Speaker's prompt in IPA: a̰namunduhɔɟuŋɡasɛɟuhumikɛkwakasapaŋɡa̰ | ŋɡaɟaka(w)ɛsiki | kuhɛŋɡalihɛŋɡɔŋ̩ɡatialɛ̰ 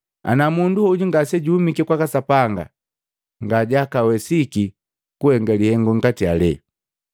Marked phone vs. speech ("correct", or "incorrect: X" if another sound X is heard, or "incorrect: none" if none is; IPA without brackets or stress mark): correct